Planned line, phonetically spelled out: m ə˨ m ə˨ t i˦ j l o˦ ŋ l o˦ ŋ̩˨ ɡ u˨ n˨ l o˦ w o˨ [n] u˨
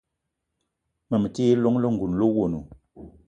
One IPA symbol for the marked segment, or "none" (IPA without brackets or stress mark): n